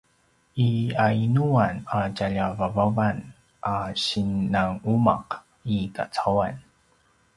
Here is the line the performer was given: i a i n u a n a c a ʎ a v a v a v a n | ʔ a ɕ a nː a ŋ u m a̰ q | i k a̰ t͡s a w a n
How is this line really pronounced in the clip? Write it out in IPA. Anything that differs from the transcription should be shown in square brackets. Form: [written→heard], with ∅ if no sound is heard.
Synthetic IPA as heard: i a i n u a n a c a ʎ a v a v a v a n | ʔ a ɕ [a→i] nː a ŋ u m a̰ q | i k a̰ t͡s a w a n

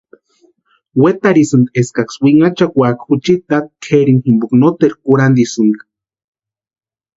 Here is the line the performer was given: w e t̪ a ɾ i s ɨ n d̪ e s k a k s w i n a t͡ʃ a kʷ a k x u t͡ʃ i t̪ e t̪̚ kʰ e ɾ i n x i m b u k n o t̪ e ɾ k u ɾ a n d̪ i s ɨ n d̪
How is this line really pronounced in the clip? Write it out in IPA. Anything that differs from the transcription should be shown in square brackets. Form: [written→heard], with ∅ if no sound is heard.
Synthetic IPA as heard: w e t̪ a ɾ i s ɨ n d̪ e s k a k s w i [n→ŋ] a t͡ʃ a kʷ a k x u t͡ʃ i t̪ [e→a] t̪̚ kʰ e ɾ i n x i m b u k n o t̪ e ɾ k u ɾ a n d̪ i s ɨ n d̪

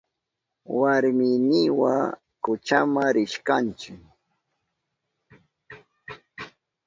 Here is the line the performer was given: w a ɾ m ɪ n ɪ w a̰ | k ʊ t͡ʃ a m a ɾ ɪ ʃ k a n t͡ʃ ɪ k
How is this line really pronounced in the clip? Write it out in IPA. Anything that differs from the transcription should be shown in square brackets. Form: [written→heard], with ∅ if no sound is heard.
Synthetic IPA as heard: w a ɾ m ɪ n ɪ w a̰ | k ʊ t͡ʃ a m a ɾ ɪ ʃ k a n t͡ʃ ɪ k

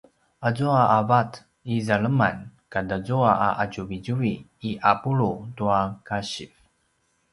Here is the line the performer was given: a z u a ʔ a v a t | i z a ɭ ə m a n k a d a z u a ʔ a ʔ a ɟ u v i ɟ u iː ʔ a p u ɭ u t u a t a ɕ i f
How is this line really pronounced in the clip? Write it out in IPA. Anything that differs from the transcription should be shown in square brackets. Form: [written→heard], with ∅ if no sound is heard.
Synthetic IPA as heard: a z u a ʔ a v a t | i z a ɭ ə m a n k a d a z u a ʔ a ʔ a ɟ u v i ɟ u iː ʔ a p u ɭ u t u a [t→k] a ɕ i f

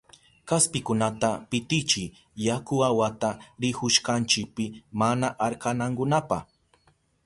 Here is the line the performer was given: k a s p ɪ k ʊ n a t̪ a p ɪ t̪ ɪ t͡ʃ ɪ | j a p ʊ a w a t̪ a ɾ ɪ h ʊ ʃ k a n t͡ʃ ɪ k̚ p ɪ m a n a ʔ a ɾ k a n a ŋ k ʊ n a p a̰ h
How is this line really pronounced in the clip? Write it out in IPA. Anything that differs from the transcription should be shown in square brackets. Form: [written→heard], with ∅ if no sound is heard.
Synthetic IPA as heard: k a s p ɪ k ʊ n a t̪ a p ɪ t̪ ɪ t͡ʃ ɪ | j a [p→k] ʊ a w a t̪ a ɾ ɪ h ʊ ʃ k a n t͡ʃ ɪ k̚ p ɪ m a n a ʔ a ɾ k a n a ŋ k ʊ n a p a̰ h

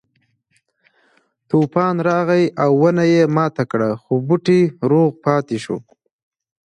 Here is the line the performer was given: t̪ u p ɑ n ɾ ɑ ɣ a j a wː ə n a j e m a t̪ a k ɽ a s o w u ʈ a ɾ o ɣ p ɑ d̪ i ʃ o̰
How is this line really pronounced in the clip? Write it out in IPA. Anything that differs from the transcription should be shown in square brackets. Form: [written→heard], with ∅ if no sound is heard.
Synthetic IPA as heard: t̪ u p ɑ n ɾ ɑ ɣ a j a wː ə n a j e m [a→ɑ] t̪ a k ɽ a [s→x] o [w→b] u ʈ [a→i] ɾ o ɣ p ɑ [d̪→t̪] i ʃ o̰

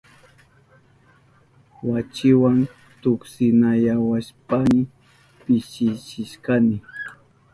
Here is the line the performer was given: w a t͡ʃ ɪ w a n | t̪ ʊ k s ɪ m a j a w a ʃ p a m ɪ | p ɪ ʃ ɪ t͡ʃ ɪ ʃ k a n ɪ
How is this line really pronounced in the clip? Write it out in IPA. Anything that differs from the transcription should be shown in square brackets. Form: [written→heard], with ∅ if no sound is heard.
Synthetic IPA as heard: w a t͡ʃ ɪ w a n | t̪ ʊ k s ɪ [m→n] a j a w a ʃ p a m ɪ | p ɪ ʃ ɪ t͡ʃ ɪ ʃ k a n ɪ

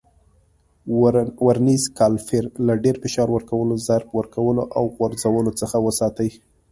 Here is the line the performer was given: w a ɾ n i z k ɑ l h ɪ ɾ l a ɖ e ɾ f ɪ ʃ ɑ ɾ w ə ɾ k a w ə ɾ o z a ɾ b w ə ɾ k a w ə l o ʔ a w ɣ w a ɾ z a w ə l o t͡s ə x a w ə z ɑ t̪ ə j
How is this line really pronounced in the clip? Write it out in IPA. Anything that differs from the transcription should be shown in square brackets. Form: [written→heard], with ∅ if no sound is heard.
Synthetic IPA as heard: w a ɾ n i z k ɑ l [h→f] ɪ ɾ l a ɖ e ɾ f ɪ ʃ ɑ ɾ w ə ɾ k a w ə [ɾ→l] o z a ɾ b w ə ɾ k a w ə l o ʔ a w ɣ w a ɾ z a w ə l o t͡s ə x a w ə [z→s] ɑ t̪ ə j

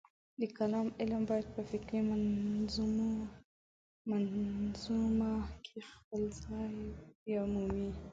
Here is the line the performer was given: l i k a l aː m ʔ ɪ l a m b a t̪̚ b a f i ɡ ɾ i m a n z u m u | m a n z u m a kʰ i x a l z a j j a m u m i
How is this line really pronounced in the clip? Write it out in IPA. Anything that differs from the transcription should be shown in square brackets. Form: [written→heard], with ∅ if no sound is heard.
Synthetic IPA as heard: l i k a l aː m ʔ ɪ l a m b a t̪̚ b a f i [ɡ→k] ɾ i m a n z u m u | m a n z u m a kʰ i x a l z a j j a m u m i

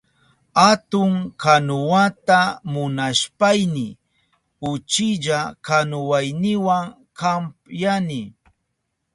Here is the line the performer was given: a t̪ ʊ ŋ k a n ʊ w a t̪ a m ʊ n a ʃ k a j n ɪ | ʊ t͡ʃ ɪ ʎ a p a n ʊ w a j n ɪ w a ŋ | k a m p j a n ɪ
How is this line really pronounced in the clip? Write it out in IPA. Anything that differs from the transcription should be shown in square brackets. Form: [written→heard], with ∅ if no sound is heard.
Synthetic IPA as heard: a t̪ ʊ ŋ k a n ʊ w a t̪ a m ʊ n a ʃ [k→p] a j n ɪ | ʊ t͡ʃ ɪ ʎ a [p→k] a n ʊ w a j n ɪ w a ŋ | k a m p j a n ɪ

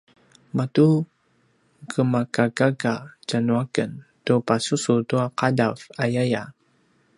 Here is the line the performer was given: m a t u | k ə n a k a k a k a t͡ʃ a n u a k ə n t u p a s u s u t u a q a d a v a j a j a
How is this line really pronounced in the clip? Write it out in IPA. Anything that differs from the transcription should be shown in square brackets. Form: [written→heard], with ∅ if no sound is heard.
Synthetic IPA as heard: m a t u | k ə [n→m] a k a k a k a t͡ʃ a n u a k ə n t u p a s u s u t u a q a d a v a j a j a

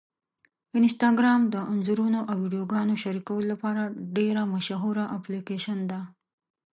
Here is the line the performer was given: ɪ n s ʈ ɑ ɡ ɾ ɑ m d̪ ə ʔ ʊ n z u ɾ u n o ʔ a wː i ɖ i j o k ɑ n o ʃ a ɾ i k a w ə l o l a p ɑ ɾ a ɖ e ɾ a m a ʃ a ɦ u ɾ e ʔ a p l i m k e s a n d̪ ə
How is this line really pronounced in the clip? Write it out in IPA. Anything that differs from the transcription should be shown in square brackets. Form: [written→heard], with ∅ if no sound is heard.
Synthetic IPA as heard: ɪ n s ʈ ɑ ɡ ɾ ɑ m d̪ ə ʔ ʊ n z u ɾ u n o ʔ a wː i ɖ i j o [k→ɡ] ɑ n o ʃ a ɾ i k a w ə l o l a p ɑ ɾ a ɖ e ɾ a m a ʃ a ɦ u ɾ [e→a] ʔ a p l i [m→∅] k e [s→ʃ] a n d̪ [ə→a]

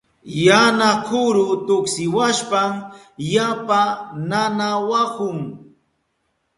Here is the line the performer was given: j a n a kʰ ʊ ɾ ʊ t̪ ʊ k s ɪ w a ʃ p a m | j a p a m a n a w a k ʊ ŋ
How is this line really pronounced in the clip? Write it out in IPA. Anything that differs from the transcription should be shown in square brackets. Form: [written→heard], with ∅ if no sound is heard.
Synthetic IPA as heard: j a n a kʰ ʊ ɾ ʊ t̪ ʊ k s ɪ w a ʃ p a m | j a p a [m→n] a n a w a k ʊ ŋ

